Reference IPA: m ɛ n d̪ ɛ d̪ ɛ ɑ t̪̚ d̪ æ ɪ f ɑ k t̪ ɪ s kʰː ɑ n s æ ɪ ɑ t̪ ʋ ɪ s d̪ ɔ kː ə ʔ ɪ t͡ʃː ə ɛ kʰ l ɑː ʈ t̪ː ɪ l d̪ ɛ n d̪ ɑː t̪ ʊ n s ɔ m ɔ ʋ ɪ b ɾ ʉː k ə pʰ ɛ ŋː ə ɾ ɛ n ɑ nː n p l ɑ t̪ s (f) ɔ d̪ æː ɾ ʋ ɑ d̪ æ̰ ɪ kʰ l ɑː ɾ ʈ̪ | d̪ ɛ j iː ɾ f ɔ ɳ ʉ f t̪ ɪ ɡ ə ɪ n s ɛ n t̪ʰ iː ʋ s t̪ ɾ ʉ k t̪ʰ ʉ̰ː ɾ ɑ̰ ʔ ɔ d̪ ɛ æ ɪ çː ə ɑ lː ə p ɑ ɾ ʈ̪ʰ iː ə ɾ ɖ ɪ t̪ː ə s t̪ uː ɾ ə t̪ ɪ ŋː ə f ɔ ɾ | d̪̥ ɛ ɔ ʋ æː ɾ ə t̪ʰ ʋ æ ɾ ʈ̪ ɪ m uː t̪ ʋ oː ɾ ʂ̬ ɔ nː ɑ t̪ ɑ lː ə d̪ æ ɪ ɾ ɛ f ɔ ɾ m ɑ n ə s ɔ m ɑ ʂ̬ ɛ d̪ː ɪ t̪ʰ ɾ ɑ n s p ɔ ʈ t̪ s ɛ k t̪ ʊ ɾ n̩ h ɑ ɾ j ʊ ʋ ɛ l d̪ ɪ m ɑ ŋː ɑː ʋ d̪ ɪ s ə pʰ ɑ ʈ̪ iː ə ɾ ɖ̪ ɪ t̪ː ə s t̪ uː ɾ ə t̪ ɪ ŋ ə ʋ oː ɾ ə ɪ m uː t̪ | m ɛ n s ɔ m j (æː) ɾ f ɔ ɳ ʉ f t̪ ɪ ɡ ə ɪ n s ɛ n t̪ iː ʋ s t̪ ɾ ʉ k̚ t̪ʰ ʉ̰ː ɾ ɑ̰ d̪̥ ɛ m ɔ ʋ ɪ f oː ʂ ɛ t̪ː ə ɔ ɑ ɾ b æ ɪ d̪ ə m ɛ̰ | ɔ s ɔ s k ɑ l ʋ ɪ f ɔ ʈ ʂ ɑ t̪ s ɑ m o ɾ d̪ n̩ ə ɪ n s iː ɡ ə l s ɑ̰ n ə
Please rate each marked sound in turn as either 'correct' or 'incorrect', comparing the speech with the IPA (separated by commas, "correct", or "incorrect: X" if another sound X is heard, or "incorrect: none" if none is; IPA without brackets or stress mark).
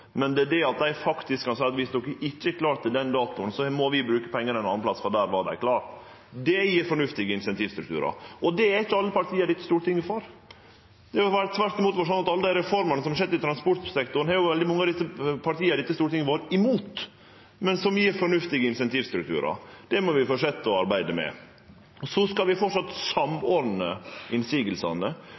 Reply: correct, incorrect: iː